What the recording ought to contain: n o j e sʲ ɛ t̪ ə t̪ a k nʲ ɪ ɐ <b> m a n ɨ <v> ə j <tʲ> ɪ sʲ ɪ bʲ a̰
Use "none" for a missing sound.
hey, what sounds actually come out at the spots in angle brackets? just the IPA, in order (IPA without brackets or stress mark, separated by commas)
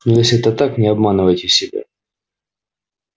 b, v, tʲ